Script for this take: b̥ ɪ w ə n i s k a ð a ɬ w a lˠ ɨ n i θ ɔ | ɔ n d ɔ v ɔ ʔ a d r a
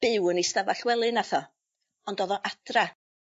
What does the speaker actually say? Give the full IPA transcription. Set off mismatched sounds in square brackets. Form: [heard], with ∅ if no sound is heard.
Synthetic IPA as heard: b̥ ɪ w ə n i s [t] a [v] a ɬ w [ɛ] lˠ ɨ n [a] θ ɔ | ɔ n d ɔ [ð] ɔ ʔ a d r a